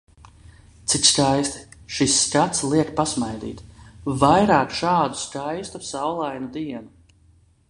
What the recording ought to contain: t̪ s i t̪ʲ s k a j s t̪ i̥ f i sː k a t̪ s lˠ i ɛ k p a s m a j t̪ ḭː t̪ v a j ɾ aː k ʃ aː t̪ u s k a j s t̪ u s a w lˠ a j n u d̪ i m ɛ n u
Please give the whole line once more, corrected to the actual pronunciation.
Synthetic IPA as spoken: t̪ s i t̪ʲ s k a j s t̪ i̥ ʃ i sː k a t̪ s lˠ i ɛ k p a s m a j d̪ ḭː t̪ v a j ɾ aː k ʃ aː d̪ u s k a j s t̪ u s a w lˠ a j n u d̪ i ɛ n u